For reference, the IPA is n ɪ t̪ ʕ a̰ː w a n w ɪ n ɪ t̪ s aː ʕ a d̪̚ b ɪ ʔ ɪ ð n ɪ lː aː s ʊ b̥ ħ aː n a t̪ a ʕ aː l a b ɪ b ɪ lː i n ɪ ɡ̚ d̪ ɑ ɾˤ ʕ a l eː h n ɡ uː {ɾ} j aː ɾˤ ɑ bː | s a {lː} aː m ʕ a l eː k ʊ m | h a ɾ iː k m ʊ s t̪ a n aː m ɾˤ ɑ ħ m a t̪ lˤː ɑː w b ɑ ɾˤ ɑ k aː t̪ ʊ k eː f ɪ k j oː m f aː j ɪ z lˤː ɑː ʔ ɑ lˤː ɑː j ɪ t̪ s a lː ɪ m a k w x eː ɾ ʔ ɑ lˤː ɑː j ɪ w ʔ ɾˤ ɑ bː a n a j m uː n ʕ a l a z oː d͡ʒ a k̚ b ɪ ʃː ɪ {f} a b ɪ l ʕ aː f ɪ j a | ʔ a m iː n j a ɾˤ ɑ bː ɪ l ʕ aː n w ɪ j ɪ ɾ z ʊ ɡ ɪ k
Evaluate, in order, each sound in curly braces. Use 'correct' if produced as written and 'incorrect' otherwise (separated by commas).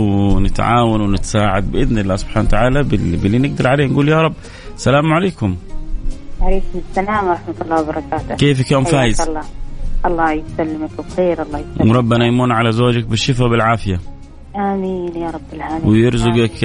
incorrect, incorrect, correct